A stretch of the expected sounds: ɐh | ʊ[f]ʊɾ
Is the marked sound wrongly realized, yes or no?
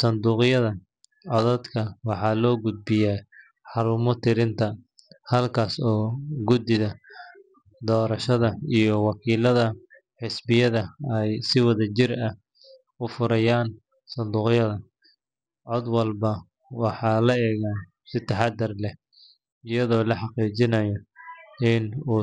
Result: no